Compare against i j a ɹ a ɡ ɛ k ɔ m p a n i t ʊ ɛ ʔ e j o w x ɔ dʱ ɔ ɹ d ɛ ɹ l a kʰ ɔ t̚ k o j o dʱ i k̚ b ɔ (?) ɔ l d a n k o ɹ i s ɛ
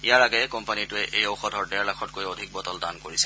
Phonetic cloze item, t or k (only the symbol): t